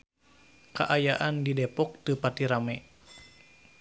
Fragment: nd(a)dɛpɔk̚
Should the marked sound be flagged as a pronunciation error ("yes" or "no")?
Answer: yes